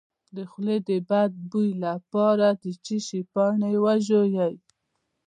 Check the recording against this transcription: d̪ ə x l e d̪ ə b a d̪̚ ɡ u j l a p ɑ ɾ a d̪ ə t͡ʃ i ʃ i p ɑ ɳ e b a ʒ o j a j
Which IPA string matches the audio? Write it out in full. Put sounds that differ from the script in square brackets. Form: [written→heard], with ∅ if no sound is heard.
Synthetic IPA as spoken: d̪ ə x l e d̪ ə b a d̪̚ [ɡ→b] u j l a p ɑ ɾ a d̪ ə t͡ʃ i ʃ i p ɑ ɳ e [b→w] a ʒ o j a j